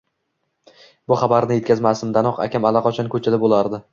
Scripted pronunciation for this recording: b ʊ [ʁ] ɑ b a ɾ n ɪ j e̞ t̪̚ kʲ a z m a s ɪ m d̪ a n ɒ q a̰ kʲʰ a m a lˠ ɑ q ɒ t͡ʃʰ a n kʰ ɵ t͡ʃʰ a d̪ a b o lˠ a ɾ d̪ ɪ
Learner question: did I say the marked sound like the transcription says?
no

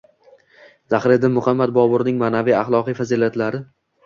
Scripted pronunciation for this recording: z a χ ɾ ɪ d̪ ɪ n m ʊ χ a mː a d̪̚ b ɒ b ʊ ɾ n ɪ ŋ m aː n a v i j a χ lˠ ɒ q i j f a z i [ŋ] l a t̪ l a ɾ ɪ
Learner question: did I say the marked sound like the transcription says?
no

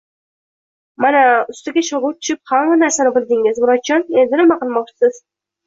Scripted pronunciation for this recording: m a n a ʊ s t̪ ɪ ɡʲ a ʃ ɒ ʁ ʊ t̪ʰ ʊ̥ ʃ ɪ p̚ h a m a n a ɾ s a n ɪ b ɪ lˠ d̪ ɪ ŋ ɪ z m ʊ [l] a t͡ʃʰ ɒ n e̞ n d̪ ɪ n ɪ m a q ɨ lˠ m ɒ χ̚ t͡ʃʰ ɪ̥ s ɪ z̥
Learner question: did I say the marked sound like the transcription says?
no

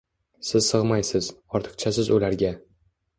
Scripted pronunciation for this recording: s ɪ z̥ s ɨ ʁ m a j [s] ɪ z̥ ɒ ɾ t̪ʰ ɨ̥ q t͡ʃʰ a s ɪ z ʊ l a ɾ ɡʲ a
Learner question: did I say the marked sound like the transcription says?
yes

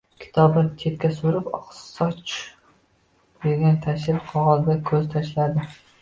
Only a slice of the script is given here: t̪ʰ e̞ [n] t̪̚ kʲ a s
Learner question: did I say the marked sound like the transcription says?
no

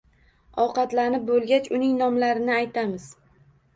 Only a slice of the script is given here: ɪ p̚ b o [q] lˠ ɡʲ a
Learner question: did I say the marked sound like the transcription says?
no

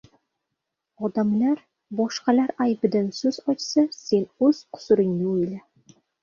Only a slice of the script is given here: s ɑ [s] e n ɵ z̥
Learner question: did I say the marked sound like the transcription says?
yes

